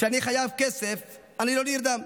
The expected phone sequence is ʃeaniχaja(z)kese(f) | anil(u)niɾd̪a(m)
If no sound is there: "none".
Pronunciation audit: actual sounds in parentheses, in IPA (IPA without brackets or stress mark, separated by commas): v, f, o, m